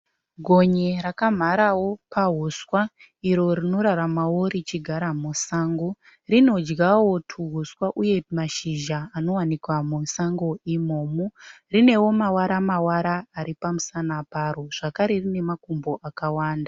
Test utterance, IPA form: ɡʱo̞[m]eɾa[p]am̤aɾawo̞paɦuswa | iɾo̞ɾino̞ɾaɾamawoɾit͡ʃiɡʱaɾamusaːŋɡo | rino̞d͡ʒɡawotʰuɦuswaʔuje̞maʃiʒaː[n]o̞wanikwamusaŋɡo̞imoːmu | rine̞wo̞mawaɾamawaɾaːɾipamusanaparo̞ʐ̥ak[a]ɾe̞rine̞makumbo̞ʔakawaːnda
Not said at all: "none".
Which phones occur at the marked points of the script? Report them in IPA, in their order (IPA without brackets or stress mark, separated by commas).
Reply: ɲ, k, n, a